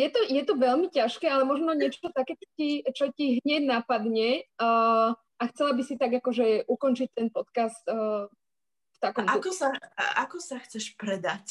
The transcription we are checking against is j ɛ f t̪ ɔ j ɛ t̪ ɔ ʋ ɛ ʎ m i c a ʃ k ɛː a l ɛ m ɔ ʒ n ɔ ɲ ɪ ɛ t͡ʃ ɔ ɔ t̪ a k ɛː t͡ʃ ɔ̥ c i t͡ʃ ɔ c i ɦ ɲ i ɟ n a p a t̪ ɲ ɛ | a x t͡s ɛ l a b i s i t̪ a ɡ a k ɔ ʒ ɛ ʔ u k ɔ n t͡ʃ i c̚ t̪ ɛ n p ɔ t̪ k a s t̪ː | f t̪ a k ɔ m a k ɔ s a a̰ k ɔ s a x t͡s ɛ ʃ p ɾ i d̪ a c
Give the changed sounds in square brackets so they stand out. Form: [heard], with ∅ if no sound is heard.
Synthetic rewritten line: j ɛ [∅] t̪ ɔ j ɛ t̪ ɔ ʋ ɛ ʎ m i c a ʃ k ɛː a l ɛ m ɔ ʒ n ɔ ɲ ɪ ɛ t͡ʃ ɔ ɔ t̪ a k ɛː t͡ʃ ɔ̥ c i t͡ʃ ɔ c i ɦ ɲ [ɛ] ɟ n a p a [d̪] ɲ ɛ | a x t͡s ɛ l a b i s i t̪ a ɡ a k ɔ ʒ ɛ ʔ u k ɔ n t͡ʃ i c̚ t̪ ɛ n p ɔ t̪ k a s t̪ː | f t̪ a k ɔ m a k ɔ s a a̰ k ɔ s a x t͡s ɛ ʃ p ɾ [ɛ] d̪ a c